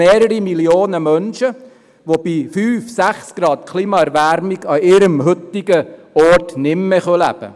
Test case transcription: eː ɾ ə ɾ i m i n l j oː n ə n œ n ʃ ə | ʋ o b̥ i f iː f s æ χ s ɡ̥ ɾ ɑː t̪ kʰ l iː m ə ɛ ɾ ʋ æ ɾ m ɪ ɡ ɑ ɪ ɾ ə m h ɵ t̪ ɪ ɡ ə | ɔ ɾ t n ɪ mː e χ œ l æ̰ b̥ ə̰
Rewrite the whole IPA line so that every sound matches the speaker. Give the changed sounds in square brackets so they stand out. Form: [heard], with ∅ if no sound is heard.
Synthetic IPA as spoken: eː ɾ ə ɾ i m i [∅] l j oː n ə [m] œ n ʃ ə | ʋ o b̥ i f [yː] f s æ χ s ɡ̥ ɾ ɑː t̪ kʰ l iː m [ɑ] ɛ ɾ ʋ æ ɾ m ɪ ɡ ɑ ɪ ɾ ə m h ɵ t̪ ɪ ɡ ə | ɔ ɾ t n ɪ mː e χ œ l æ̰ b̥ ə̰